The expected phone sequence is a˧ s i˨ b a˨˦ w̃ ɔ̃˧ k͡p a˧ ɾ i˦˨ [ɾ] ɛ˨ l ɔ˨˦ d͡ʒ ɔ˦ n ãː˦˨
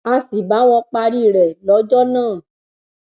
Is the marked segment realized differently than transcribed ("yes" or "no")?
no